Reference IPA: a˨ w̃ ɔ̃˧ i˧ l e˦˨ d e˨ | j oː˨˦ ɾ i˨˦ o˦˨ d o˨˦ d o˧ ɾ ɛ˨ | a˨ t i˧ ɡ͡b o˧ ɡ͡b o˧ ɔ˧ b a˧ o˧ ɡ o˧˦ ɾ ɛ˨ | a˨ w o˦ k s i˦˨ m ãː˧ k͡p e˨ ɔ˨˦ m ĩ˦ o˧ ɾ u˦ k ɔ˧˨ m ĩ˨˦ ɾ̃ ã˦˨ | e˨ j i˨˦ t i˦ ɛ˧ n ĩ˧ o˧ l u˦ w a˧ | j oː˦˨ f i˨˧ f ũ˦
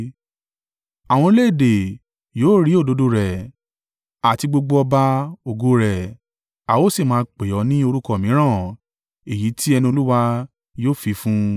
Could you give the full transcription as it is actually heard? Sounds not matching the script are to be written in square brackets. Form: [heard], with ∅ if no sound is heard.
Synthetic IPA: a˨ w̃ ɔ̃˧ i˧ l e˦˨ d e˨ | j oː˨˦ ɾ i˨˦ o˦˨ d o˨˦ d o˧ ɾ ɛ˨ | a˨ t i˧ ɡ͡b o˧ ɡ͡b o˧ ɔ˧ b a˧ o˧ ɡ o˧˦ ɾ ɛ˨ | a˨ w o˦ [∅] s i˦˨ m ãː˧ k͡p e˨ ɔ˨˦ [n] ĩ˦ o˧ ɾ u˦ k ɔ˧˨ m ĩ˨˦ ɾ̃ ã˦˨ | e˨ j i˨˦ t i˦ ɛ˧ n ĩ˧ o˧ l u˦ w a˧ | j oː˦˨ f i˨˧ f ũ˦